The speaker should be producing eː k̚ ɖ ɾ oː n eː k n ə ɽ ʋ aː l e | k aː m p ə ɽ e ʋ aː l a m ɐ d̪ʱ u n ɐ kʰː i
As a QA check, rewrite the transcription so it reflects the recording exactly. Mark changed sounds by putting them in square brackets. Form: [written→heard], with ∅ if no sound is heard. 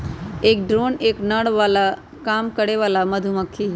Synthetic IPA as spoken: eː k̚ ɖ ɾ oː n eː k n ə ɽ ʋ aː l [e→a] | k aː m [p→k] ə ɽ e ʋ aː l a m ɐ d̪ʱ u [n→m] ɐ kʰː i